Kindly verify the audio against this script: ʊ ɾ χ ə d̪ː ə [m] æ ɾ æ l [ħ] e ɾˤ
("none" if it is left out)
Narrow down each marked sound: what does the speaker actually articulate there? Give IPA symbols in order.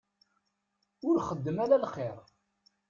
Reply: m, χ

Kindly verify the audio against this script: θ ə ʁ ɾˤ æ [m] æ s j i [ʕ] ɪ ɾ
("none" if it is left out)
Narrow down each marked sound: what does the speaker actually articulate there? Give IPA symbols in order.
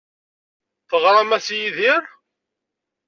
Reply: m, ð

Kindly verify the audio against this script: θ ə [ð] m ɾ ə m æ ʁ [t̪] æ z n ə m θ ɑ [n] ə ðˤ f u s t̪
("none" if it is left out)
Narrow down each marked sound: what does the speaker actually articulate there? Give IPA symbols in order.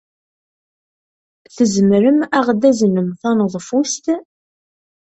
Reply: z, d̪, n

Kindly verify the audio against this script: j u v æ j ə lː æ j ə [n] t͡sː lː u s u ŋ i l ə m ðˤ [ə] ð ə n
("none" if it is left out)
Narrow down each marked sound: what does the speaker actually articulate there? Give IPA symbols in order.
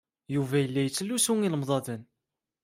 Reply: none, ɑ

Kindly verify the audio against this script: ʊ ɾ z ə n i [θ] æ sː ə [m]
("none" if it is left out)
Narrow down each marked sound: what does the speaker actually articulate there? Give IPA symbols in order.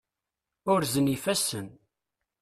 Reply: f, n

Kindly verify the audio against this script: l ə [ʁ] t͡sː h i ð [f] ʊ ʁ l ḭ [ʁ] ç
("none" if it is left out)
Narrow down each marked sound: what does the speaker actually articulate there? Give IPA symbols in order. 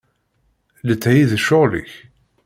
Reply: none, ʃ, none

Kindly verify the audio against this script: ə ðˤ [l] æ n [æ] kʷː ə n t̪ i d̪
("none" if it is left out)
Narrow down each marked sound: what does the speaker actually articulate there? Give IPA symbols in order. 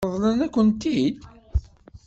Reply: l, æ

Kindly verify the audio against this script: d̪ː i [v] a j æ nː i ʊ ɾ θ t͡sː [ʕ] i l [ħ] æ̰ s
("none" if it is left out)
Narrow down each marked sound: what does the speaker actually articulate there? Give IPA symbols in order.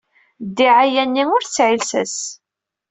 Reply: ʕ, ʕ, s

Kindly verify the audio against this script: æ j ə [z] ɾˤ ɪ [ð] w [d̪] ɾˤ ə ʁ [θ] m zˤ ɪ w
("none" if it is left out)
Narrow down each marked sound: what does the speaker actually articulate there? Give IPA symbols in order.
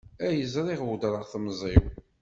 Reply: z, ʁ, d̪, θ

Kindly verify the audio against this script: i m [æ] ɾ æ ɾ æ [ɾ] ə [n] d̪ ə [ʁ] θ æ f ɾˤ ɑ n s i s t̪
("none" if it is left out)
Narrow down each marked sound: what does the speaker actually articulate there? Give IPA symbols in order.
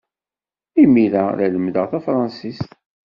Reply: i, l, m, ʁ

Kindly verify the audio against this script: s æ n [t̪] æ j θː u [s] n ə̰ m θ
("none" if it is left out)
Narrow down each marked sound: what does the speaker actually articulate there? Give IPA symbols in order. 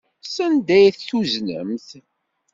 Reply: d̪, z

